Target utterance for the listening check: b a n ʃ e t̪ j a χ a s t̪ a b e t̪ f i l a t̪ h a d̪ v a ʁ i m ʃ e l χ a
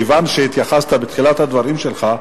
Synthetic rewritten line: v a n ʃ e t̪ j a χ a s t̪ a b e t̪ χ i l a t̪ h a d̪ v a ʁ i m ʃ e l χ a